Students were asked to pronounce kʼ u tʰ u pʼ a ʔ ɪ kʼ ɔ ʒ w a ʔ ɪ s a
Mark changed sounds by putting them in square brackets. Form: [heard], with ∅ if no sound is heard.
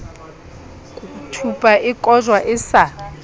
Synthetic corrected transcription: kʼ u tʰ u pʼ a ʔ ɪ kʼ ɔ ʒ w a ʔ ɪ s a